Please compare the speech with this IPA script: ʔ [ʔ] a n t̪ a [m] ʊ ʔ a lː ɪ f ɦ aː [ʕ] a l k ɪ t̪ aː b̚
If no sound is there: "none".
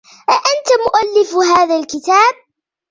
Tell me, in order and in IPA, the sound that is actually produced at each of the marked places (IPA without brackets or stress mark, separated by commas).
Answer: ʔ, m, ð